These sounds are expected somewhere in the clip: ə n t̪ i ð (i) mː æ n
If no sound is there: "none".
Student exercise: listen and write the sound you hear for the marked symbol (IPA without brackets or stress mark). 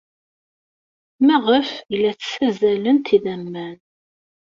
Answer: æ